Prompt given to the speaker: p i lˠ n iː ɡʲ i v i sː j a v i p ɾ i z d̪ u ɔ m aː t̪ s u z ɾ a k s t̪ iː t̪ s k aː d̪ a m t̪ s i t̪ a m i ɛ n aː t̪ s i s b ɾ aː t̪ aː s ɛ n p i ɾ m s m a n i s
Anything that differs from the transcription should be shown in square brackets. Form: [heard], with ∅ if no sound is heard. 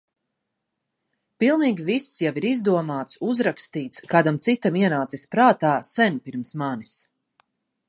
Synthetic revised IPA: p i lˠ n iː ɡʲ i v i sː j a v i [∅] ɾ i z d̪ u ɔ m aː t̪ s u z ɾ a k s t̪ iː t̪ s k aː d̪ a m t̪ s i t̪ a m i ɛ n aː t̪ s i s [p] ɾ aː t̪ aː s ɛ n p i ɾ m s m a n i s